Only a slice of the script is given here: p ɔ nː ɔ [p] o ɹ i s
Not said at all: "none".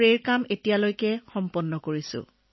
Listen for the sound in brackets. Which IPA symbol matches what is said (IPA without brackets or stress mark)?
k